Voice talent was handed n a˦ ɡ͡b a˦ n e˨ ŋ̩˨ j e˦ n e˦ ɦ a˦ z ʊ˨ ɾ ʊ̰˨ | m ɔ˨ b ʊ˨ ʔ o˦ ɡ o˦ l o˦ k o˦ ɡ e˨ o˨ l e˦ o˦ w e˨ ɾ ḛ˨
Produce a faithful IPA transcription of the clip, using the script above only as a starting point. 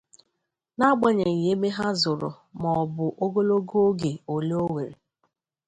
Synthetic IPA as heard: n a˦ ɡ͡b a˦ ɲ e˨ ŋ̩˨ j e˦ m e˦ ɦ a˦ z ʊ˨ ɾ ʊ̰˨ | m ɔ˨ b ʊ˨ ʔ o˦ ɡ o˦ l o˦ ɡ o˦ ɡ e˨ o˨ l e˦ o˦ w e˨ ɾ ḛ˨